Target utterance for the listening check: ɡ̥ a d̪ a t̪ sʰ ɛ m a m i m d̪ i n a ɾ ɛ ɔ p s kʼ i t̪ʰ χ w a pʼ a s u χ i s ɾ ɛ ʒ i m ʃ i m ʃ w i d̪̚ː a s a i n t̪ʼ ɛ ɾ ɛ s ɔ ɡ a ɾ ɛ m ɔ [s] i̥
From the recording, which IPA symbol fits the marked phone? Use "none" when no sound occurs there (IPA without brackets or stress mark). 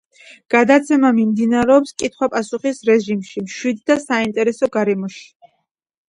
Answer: ʃ